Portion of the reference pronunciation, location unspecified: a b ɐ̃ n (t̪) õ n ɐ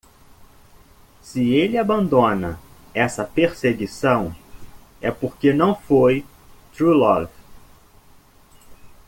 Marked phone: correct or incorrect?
incorrect